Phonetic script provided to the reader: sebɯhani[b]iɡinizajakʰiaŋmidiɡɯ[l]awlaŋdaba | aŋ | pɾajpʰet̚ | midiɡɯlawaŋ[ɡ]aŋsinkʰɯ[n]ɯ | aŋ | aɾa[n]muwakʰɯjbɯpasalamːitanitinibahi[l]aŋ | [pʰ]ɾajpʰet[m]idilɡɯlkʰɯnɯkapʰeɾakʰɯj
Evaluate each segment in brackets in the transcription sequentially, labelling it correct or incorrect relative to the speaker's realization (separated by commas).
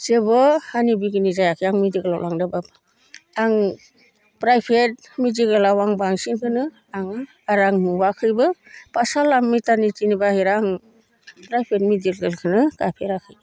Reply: correct, correct, incorrect, correct, incorrect, incorrect, incorrect, correct